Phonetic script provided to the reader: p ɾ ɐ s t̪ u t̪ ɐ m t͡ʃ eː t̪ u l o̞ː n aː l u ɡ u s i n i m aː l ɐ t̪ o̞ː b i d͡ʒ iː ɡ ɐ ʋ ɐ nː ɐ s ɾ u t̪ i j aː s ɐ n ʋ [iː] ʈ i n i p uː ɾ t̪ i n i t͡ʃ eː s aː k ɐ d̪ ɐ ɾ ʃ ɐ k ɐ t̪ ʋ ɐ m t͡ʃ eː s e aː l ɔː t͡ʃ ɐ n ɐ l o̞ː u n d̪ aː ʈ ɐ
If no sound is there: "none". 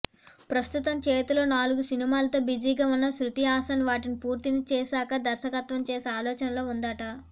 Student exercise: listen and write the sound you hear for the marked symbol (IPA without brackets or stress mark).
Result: aː